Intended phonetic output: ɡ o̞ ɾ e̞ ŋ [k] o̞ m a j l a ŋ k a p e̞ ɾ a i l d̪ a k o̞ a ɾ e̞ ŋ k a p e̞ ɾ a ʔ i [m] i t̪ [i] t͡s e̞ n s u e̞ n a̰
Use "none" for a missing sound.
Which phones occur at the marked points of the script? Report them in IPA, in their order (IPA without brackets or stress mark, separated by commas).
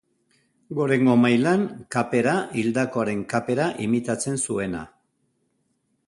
ɡ, m, a